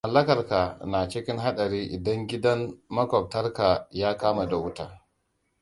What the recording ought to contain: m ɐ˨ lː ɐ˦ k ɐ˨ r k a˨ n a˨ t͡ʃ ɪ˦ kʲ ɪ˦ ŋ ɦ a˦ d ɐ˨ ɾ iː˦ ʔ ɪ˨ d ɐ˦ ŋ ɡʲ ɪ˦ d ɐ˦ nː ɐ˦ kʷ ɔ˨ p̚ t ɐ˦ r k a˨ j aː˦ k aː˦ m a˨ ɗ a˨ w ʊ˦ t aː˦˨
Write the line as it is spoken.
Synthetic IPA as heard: m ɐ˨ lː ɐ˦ k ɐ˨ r k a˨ n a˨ t͡ʃ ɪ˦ kʲ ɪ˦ ŋ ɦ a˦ ɗ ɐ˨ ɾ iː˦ ʔ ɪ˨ d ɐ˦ ŋ ɡʲ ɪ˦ d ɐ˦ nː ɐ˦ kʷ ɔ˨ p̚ t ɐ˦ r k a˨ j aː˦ k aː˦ m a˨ d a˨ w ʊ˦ t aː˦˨